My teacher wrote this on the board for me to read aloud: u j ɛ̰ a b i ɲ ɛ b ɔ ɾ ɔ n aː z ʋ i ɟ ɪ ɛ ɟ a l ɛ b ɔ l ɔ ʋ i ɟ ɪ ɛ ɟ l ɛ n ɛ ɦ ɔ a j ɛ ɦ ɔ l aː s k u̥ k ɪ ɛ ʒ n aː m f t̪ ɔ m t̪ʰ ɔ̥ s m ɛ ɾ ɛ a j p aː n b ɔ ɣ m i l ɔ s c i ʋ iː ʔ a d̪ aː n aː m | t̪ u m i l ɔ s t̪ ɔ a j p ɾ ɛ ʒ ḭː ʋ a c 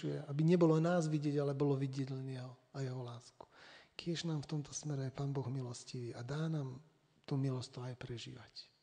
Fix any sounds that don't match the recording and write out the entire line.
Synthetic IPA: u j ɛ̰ a b i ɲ ɛ b ɔ l ɔ n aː z ʋ i ɟ ɪ ɛ ɟ a l ɛ b ɔ l ɔ ʋ i ɟ ɪ ɛ ɟ l ɛ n ɛ ɦ ɔ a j ɛ ɦ ɔ l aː s k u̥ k ɪ ɛ ʒ n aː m f t̪ ɔ m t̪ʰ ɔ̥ s m ɛ ɾ ɛ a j p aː n b ɔ ɣ m i l ɔ s c i ʋ iː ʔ a d̪ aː n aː m | t̪ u m i l ɔ s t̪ ɔ a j p ɾ ɛ ʒ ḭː ʋ a c